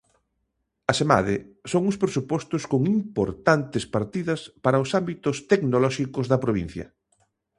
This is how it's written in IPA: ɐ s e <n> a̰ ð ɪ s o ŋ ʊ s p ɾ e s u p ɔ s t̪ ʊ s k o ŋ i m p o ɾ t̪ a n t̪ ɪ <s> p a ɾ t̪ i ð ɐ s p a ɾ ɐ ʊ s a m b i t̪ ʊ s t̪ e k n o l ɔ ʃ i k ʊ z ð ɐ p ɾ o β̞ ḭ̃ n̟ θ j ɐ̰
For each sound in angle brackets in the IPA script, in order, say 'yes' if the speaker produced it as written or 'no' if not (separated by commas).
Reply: no, yes